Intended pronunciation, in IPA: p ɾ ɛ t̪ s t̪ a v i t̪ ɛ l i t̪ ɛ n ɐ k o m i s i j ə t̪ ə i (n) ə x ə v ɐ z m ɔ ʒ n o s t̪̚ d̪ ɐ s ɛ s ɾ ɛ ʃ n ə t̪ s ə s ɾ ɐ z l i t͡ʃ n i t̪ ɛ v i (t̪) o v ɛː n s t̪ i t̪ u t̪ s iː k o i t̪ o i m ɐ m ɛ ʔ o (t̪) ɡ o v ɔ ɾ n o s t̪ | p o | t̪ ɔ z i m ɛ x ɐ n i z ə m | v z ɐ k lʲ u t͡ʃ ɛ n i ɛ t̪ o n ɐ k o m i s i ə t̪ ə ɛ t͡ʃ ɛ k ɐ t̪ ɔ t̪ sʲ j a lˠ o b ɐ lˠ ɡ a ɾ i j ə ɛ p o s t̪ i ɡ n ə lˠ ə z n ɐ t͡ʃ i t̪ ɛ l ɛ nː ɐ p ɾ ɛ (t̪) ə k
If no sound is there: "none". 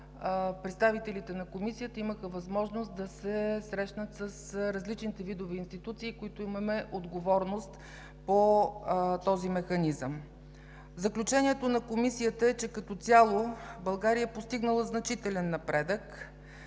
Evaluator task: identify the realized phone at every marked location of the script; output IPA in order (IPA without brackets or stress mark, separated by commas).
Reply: m, d̪, d̪, d̪